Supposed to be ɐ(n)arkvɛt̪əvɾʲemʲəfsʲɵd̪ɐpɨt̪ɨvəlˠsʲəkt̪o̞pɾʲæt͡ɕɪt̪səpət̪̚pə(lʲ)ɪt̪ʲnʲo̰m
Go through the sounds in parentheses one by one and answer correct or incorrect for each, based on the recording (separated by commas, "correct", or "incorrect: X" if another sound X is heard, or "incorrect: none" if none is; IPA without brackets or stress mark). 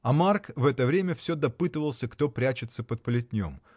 incorrect: m, correct